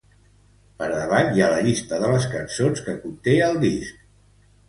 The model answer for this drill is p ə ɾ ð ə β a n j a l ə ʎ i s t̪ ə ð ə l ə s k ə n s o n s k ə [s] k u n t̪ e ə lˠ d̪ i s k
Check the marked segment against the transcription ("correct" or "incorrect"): incorrect